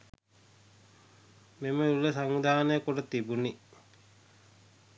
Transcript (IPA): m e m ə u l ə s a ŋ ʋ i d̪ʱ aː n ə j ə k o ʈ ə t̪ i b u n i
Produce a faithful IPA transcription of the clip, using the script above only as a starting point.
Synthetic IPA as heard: m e m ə u l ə s a ŋ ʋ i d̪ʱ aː n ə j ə k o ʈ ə t̪ i b u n i